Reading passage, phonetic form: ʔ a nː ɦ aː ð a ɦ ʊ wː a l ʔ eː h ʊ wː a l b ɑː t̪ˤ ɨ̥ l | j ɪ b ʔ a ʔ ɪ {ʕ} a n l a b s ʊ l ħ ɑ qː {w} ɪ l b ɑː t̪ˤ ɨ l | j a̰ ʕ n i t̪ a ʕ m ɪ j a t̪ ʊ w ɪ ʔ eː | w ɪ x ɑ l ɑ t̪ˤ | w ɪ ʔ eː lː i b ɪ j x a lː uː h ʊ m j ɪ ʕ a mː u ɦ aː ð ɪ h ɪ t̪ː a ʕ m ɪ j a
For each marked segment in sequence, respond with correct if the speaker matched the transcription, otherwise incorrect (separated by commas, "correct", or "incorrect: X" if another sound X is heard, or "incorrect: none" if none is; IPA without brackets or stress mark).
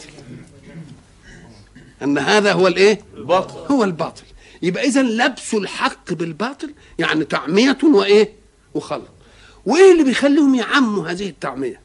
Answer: incorrect: z, incorrect: b